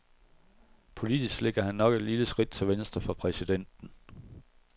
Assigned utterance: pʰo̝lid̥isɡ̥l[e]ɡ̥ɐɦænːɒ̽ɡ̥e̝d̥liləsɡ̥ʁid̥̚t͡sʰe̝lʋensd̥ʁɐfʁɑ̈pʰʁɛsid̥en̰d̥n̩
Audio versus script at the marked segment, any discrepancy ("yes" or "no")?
no